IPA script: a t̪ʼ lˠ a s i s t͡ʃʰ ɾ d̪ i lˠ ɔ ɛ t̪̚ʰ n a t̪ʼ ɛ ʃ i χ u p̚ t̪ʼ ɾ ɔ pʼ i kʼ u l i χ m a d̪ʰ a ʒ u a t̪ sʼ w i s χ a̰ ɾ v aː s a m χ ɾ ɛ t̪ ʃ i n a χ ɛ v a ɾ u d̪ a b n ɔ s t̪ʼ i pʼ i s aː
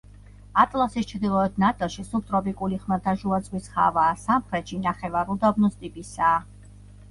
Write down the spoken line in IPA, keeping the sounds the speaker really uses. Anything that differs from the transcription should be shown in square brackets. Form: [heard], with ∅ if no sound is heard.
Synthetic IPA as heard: a t̪ʼ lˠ a s i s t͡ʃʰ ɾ d̪ i lˠ ɔ ɛ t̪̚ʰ n a t̪ʼ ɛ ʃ i [s] u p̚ t̪ʼ ɾ ɔ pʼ i kʼ u l i χ m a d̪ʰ a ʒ u a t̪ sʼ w i s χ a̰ [∅] v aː s a m χ ɾ ɛ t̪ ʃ i n a χ ɛ v a ɾ u d̪ a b n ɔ s t̪ʼ i pʼ i s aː